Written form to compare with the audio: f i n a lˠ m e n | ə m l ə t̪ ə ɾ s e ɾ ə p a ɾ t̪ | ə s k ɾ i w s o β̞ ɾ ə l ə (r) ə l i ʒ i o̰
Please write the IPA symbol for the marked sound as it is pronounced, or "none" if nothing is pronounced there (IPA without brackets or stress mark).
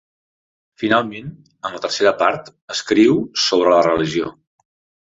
r